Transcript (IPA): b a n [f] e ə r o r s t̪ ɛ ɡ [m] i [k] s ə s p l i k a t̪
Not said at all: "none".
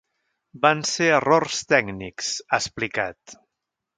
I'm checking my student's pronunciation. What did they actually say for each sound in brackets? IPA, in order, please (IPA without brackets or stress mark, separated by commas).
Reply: s, n, k